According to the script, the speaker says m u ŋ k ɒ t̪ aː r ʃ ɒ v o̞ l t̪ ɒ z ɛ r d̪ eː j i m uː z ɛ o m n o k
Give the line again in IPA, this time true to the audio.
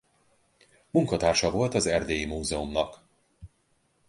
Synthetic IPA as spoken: m u ŋ k ɒ t̪ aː r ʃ ɒ v o̞ l t̪ ɒ z ɛ r d̪ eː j i m uː z ɛ o m n ɒ k